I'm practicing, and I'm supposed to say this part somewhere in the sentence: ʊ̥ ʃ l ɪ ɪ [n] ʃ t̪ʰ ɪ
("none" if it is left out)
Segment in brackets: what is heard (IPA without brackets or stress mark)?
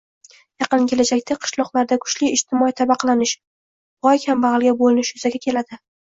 none